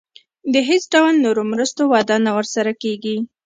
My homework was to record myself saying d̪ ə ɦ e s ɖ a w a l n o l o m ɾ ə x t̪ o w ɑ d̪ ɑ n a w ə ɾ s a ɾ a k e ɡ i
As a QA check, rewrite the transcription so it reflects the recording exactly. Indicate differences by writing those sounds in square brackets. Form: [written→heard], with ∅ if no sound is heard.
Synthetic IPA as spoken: d̪ ə ɦ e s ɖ a w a l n o [l→ɾ] o m ɾ ə [x→s] t̪ o w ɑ d̪ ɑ n a w ə ɾ s a ɾ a k e ɡ i